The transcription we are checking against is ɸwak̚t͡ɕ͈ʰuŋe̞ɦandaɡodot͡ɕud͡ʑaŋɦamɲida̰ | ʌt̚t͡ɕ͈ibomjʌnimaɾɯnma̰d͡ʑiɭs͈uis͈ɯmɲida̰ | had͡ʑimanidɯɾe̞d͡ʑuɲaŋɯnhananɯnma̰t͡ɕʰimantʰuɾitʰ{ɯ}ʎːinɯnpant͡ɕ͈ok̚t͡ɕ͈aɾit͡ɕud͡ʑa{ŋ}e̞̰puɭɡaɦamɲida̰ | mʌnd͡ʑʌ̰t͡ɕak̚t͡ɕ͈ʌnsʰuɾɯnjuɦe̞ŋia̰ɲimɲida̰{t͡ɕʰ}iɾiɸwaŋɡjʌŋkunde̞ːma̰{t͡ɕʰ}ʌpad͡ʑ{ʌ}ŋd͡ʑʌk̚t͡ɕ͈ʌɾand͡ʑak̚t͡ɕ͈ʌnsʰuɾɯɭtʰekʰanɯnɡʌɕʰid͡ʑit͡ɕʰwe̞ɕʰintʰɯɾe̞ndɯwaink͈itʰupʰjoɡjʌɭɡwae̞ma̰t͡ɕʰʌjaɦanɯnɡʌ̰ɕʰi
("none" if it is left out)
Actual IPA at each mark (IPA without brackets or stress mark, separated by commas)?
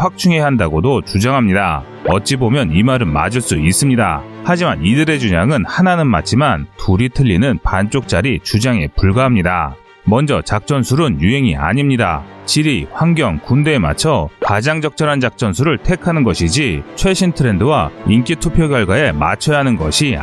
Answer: ɯ, ŋ, t͡ɕ, t͡ɕʰ, a